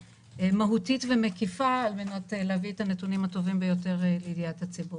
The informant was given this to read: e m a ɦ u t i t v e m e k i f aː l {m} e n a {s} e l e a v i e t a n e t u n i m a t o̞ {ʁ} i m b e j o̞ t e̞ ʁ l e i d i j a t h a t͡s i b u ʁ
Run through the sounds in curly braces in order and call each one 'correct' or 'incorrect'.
correct, incorrect: t, incorrect: v

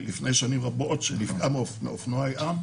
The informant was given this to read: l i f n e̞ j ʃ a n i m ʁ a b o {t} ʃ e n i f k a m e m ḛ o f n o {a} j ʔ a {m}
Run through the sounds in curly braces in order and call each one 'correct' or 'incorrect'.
correct, correct, correct

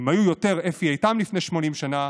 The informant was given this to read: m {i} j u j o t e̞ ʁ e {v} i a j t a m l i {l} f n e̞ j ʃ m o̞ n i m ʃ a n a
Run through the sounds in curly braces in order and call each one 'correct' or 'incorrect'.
incorrect: a, incorrect: f, incorrect: none

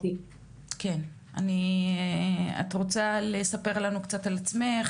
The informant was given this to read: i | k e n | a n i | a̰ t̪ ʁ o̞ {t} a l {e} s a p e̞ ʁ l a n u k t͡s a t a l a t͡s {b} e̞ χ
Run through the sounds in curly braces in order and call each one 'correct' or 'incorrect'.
incorrect: t͡s, correct, incorrect: m

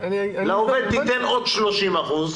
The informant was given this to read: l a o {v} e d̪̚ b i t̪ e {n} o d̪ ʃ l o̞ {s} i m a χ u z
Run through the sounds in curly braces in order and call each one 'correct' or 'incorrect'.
correct, correct, incorrect: ʃ

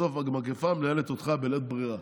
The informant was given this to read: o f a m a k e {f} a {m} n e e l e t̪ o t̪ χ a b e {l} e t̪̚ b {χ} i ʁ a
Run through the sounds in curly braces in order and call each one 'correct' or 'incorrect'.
correct, correct, correct, incorrect: ʁ

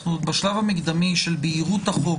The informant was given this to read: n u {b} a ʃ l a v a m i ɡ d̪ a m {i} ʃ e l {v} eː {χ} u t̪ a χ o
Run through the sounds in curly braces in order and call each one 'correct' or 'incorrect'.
correct, correct, incorrect: b, incorrect: ʁ

